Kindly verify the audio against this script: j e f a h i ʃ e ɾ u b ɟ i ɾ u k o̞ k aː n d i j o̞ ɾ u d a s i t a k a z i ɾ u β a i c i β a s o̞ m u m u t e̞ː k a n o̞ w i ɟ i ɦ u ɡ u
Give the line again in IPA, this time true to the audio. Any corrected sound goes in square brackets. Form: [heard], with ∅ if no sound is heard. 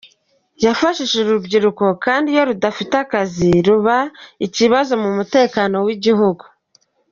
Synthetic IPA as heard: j [a] f a [ʃ] i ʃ e ɾ u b ɟ i ɾ u k o̞ k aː n d i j o̞ ɾ u d a [f] i t a k a z i ɾ u β a i c i β a [z] o̞ m u m u t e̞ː k a n o̞ w i ɟ i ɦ u ɡ u